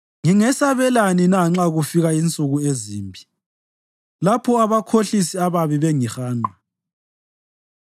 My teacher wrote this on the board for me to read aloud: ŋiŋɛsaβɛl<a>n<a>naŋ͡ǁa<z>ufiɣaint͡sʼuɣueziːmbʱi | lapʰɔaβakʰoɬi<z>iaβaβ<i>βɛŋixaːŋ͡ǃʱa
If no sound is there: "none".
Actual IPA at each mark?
a, i, ɣ, s, i

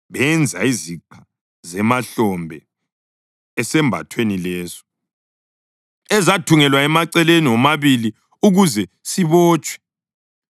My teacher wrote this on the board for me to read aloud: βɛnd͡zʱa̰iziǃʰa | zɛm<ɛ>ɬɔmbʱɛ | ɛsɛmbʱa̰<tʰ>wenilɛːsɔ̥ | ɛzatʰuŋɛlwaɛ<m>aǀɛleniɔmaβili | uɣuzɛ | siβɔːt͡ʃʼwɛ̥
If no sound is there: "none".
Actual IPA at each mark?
a, tʰ, m

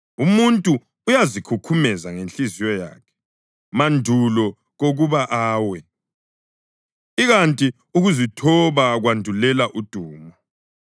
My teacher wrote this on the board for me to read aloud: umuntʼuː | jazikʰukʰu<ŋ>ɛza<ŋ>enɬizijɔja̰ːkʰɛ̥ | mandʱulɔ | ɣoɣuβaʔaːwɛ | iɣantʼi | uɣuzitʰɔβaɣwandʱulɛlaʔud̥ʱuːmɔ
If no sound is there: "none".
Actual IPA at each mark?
m, ŋ

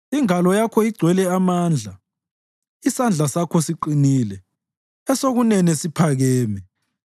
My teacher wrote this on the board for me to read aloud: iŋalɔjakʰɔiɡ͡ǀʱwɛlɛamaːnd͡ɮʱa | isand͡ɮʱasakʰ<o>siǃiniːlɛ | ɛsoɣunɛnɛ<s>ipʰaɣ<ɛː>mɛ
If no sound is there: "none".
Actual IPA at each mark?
ɔ, s, ɛː

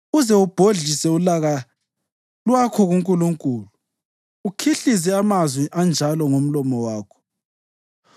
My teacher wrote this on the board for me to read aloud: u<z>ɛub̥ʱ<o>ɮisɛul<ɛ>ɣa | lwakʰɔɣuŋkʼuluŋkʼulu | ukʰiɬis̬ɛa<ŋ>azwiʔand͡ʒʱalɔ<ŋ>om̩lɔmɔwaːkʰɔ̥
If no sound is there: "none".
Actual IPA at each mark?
z, o, a, m, ŋ

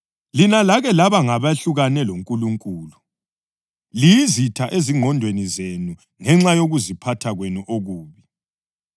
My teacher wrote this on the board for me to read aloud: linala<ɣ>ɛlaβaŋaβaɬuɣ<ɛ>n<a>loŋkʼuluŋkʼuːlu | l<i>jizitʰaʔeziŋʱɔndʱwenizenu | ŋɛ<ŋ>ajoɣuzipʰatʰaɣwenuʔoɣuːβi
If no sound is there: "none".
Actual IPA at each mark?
ɣ, a, ɛ, i, ŋ͡ǁ

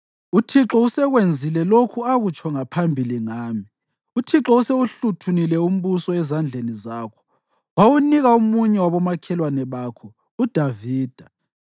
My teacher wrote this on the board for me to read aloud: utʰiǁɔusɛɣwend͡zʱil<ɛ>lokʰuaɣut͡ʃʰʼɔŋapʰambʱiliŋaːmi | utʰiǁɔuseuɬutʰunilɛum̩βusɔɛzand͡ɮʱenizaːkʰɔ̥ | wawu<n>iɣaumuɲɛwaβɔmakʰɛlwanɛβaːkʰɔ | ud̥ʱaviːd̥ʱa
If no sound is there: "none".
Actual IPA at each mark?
ɛ, n

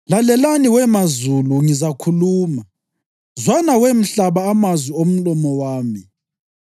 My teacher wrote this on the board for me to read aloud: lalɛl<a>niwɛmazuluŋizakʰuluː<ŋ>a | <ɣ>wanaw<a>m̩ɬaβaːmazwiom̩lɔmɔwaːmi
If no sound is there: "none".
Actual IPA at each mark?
a, m, z, e

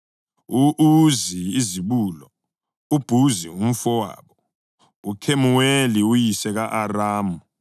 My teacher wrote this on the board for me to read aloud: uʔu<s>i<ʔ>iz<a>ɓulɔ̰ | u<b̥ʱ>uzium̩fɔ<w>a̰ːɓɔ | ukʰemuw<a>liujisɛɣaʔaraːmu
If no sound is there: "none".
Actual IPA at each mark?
z, none, i, b̥ʱ, w, e

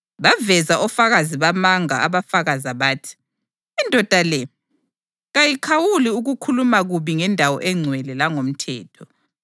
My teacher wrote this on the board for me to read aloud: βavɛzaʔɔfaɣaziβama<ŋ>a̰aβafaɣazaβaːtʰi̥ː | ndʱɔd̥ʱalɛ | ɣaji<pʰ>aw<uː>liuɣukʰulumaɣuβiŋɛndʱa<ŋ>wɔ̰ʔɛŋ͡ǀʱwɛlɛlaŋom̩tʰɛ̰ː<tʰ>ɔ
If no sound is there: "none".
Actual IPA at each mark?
ŋ, kʰ, u, none, tʰ

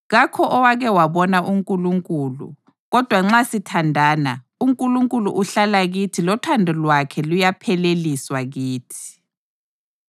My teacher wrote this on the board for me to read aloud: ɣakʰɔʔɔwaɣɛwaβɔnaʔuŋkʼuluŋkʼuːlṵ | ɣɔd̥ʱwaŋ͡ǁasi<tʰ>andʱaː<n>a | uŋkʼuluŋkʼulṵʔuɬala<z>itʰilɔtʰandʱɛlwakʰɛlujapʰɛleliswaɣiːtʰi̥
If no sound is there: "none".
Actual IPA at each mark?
tʰ, n, ɣ

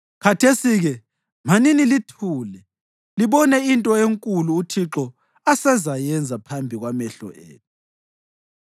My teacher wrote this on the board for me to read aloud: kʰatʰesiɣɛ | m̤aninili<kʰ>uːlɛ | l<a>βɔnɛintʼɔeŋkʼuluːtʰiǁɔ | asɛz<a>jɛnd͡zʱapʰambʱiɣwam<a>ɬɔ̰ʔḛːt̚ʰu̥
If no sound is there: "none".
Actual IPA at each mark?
tʰ, i, a, ɛ

